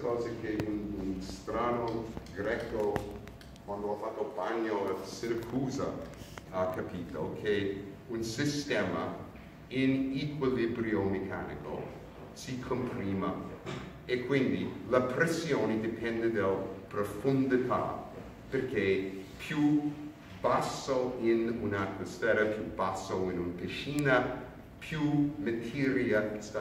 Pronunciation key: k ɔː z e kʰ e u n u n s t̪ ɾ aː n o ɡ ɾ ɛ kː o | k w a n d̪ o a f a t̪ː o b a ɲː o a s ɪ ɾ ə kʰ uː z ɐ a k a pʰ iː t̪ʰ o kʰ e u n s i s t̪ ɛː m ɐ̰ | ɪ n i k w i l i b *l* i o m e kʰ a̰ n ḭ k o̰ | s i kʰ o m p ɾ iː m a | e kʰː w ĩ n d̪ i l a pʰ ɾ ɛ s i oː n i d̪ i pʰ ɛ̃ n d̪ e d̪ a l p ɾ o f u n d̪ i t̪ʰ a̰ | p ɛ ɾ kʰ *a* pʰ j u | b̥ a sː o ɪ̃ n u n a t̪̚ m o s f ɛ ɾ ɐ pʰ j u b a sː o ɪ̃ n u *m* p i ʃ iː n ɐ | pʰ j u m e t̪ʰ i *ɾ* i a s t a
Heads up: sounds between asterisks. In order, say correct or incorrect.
incorrect, incorrect, incorrect, correct

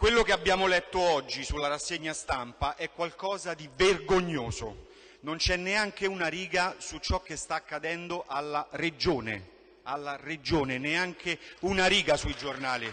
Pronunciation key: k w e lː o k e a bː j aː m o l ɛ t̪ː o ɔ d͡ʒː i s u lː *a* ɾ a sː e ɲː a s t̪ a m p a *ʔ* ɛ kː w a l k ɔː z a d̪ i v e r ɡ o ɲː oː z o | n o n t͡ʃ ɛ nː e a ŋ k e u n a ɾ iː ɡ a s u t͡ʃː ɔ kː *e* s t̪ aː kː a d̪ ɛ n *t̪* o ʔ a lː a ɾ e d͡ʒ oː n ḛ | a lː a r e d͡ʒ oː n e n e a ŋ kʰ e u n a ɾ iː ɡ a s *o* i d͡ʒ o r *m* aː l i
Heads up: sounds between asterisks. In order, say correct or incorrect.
correct, correct, correct, incorrect, incorrect, incorrect

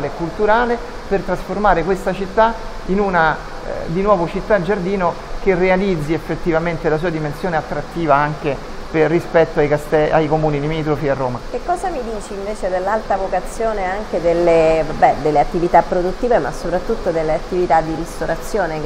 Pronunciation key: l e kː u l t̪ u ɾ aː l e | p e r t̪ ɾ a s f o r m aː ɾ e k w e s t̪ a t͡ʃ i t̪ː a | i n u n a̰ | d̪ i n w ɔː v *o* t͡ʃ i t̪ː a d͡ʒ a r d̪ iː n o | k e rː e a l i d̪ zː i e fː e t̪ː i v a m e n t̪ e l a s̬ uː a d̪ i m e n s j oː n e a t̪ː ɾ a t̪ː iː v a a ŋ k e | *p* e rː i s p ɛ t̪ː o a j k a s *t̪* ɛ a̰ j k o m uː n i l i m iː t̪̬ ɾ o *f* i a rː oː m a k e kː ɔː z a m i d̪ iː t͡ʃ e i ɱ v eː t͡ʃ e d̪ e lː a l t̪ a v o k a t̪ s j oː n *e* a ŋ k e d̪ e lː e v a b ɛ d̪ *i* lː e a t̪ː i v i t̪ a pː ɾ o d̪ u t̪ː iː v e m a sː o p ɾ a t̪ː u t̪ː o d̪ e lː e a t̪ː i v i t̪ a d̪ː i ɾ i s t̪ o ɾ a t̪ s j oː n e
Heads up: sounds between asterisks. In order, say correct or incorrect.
correct, correct, correct, correct, correct, incorrect

